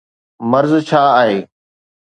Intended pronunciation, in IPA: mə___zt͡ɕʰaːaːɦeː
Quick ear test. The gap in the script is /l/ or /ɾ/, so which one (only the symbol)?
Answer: ɾ